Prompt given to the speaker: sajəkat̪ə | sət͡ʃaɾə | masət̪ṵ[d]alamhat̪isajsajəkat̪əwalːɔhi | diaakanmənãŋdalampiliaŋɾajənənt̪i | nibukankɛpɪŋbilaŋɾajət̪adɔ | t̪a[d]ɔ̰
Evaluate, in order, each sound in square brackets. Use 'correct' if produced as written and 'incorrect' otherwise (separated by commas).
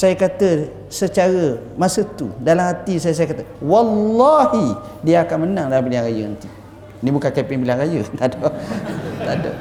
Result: correct, correct